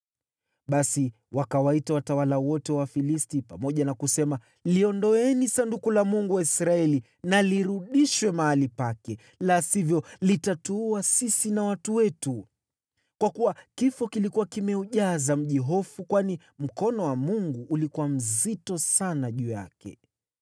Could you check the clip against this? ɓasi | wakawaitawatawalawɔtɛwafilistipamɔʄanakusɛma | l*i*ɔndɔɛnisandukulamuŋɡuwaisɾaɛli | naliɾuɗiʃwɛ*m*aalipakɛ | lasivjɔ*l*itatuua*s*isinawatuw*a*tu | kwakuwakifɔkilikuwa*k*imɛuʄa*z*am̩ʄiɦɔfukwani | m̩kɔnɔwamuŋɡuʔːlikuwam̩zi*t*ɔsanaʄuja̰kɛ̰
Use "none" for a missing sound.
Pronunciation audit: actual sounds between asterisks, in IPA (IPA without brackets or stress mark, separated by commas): i, m, l, s, ɛ, k, z, t